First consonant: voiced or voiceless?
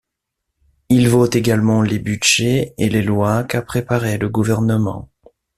voiced